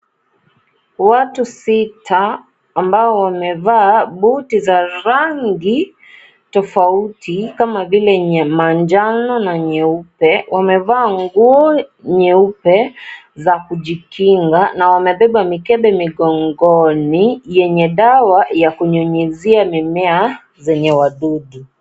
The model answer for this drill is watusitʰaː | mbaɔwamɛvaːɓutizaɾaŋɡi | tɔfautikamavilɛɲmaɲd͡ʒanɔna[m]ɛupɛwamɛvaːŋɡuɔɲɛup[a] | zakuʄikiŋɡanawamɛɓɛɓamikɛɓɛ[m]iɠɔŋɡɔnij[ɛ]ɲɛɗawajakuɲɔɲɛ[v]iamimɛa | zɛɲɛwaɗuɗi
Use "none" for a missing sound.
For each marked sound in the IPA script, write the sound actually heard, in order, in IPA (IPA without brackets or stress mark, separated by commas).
ɲ, ɛ, m, ɛ, z